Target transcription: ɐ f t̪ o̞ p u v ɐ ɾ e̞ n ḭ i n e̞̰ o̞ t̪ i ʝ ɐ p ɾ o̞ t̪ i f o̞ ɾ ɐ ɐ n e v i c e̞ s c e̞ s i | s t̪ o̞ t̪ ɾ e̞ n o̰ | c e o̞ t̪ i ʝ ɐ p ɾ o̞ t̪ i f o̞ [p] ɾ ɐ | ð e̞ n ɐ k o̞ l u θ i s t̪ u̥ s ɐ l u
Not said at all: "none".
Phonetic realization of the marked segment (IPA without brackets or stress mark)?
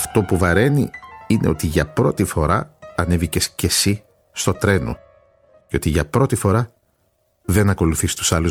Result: none